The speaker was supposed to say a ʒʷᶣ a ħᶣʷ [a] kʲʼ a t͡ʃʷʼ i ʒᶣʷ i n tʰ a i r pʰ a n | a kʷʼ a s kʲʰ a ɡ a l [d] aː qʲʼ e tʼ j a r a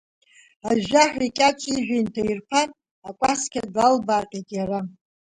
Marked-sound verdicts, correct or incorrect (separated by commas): incorrect, incorrect